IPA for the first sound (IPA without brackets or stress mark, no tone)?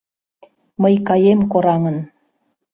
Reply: m